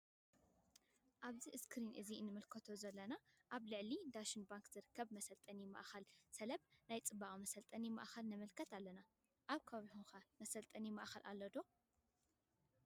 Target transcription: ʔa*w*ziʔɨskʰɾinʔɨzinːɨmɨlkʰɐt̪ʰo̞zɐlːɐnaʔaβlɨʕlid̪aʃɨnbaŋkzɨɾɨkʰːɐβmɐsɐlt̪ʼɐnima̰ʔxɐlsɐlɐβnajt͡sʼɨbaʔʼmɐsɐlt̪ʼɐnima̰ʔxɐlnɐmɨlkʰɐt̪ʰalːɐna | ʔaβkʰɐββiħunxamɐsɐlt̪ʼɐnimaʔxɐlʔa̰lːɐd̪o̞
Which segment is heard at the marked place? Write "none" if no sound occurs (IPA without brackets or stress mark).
β